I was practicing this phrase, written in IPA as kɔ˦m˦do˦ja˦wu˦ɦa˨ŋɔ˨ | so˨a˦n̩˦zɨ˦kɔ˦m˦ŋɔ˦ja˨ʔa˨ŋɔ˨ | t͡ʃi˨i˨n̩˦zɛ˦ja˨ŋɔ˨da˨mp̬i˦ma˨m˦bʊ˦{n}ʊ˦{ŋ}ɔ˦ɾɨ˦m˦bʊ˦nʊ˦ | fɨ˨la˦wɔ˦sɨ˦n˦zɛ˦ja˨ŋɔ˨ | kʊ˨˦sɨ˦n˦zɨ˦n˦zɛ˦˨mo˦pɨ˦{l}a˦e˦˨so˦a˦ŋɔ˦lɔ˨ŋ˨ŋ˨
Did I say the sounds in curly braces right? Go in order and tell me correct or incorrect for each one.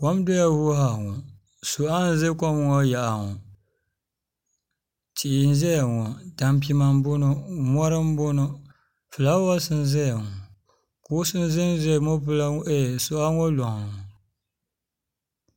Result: correct, incorrect: m, correct

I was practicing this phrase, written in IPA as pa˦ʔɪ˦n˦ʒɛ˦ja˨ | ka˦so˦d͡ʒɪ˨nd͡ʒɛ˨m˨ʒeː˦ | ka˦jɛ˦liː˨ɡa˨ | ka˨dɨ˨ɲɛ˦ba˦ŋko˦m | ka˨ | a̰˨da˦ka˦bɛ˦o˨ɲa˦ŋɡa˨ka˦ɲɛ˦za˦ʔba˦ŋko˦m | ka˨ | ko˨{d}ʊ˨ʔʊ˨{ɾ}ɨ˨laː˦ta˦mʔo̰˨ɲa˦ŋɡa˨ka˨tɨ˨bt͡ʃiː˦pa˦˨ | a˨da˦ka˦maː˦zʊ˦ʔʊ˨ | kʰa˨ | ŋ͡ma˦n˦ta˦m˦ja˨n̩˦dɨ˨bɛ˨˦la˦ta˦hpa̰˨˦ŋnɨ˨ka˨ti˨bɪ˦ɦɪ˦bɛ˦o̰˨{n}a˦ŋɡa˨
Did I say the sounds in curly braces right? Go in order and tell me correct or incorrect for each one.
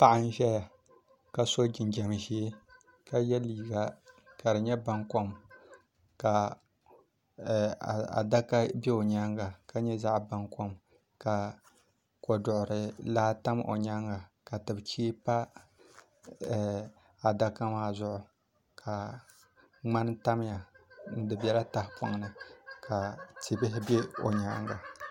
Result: correct, correct, incorrect: ɲ

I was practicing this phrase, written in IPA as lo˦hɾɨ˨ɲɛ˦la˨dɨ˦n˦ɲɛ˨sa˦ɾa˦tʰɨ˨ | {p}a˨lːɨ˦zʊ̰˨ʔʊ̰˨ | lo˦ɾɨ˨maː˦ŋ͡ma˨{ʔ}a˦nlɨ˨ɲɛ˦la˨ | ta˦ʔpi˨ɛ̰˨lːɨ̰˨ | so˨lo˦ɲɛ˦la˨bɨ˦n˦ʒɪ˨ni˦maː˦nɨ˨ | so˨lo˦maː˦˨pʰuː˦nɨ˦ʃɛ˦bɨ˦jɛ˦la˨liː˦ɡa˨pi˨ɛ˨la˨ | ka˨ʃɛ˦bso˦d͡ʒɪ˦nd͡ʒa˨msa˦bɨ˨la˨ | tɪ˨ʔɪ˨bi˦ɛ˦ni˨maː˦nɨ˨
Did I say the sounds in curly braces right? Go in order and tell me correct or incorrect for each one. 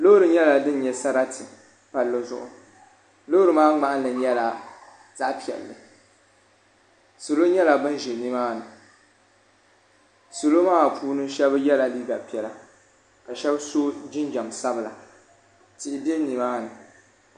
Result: correct, correct

